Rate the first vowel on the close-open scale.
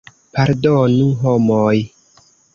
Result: open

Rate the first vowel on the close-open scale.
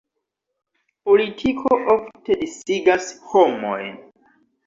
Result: mid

